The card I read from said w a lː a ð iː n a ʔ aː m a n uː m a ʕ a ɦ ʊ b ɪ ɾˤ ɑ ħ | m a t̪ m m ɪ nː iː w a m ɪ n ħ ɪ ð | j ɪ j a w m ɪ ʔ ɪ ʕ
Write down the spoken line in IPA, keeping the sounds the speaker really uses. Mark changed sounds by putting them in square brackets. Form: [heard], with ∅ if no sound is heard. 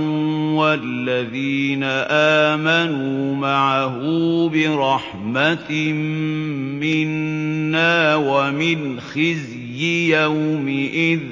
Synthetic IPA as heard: w a lː a ð iː n a ʔ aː m a n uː m a ʕ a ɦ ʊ b ɪ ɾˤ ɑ ħ | m a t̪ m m ɪ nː [aː] w a m ɪ n [x] ɪ [z] | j ɪ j a w m ɪ ʔ ɪ [ð]

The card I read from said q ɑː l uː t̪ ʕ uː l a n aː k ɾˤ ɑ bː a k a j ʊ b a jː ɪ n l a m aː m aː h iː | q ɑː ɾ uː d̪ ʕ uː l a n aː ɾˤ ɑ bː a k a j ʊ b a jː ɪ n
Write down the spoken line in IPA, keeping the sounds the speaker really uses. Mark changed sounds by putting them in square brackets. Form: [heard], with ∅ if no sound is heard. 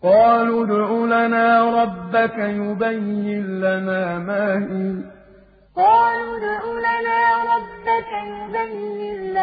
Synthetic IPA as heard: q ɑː l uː [d̪] ʕ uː l a n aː [∅] ɾˤ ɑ bː a k a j ʊ b a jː ɪ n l a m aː m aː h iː | q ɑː [l] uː d̪ ʕ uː l a n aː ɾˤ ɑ bː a k a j ʊ b a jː ɪ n

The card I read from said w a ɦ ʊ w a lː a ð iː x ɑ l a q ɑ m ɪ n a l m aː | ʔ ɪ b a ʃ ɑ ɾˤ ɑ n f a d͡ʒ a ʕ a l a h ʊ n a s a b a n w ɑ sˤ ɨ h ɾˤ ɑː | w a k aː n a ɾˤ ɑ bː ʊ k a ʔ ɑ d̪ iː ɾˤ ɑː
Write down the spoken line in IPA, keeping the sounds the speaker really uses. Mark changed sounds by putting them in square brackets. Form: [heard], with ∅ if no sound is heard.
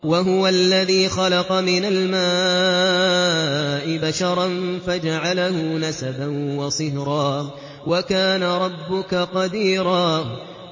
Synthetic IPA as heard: w a ɦ ʊ w a lː a ð iː x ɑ l [ɑ] q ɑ m ɪ n a l m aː | ʔ ɪ b a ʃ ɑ ɾˤ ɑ n f a d͡ʒ a ʕ a l a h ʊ n a s a b a n w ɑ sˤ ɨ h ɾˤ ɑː | w a k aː n a ɾˤ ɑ bː ʊ k a [q] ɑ d̪ iː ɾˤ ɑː

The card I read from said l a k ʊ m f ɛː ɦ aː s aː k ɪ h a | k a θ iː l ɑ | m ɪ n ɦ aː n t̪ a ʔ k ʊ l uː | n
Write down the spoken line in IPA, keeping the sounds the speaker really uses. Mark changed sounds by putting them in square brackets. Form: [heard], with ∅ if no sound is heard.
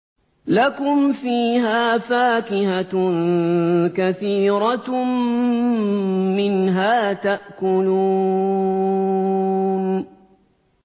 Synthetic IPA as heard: l a k ʊ m f [iː] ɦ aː [f] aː k ɪ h a | k a θ iː [ɾ] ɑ | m ɪ n ɦ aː [∅] t̪ a ʔ k ʊ l uː | n

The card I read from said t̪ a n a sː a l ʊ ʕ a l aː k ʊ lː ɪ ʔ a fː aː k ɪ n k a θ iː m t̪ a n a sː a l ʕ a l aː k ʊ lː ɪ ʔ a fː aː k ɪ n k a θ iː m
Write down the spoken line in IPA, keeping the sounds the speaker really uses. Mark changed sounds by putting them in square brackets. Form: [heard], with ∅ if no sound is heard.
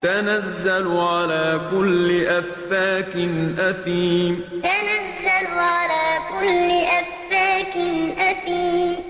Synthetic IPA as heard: t̪ a n a [zː] a l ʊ ʕ a l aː k ʊ lː ɪ ʔ a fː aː k ɪ n [ʔ] a θ iː m t̪ a n a [zː] a l ʕ a l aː k ʊ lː ɪ ʔ a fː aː k ɪ n [ʔ] a θ iː m

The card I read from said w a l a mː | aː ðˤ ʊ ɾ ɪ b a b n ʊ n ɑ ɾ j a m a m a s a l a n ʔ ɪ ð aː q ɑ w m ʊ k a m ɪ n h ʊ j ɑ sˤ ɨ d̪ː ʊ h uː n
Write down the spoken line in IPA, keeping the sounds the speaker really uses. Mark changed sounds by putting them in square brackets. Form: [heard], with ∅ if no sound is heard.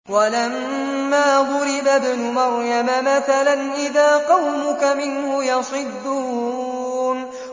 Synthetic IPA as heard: w a l a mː | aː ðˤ ʊ ɾ ɪ b a b n ʊ [m] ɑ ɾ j a m a m a [θ] a l a n ʔ ɪ ð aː q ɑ w m ʊ k a m ɪ n h ʊ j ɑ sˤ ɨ d̪ː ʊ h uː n

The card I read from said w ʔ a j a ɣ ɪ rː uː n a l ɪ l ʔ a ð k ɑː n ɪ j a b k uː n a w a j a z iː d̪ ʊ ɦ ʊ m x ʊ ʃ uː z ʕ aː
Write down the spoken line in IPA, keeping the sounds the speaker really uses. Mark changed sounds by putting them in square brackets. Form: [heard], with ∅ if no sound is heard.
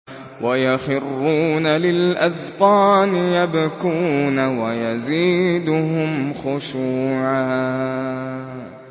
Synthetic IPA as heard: w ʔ a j a [x] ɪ rː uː n a l ɪ l ʔ a ð [q] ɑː n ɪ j a b k uː n a w a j a z iː d̪ ʊ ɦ ʊ m x ʊ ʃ uː [∅] ʕ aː

